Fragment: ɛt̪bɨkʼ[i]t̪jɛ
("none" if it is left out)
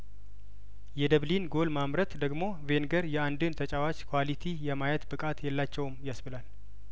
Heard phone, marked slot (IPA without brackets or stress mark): a